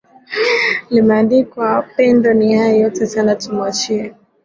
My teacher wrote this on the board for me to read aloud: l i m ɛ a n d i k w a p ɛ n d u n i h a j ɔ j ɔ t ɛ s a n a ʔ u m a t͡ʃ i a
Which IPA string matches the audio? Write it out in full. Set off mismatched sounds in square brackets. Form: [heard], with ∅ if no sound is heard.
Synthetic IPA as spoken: l i m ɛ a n d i k w a p ɛ n d [ɔ] n i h a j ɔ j ɔ t ɛ s a n a [t] u m a t͡ʃ i [ɛ]